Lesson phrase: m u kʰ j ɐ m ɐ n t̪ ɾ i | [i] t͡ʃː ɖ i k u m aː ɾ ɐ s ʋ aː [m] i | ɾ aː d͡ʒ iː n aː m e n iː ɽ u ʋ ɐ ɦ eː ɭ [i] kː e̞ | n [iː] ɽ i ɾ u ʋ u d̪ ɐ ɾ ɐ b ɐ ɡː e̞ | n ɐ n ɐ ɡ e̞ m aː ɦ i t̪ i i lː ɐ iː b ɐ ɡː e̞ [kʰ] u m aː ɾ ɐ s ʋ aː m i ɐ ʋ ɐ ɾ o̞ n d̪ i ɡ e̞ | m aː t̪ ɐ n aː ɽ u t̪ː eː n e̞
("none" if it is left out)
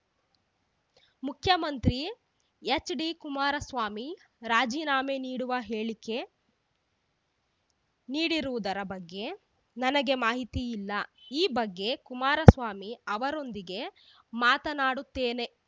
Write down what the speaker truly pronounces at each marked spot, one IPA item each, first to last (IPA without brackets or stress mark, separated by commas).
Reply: e, m, i, iː, k